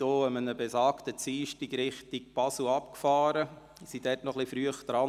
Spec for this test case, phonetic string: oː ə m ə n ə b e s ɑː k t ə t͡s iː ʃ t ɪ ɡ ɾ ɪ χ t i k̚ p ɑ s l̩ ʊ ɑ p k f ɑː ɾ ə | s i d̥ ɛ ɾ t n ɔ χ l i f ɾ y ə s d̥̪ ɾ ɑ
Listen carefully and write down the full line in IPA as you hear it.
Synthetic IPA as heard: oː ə m ə n ə b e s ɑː k t ə t͡s iː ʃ t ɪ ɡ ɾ ɪ χ t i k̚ p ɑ s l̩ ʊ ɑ p k f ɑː ɾ ə | s i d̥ ɛ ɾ t n ɔ χ l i f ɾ y ə χ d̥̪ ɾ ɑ